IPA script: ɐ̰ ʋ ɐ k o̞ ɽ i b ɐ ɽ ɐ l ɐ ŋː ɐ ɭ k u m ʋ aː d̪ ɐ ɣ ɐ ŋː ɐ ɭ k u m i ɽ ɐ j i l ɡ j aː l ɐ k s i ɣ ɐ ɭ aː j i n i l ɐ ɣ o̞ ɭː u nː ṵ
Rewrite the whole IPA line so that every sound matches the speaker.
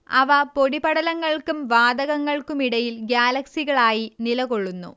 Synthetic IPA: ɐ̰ ʋ ɐ p o̞ ɽ i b ɐ ɽ ɐ l ɐ ŋː ɐ ɭ k u m ʋ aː d̪ ɐ ɣ ɐ ŋː ɐ ɭ k u m i ɽ ɐ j i l ɡ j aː l ɐ k s i ɣ ɐ ɭ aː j i n i l ɐ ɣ o̞ ɭː u nː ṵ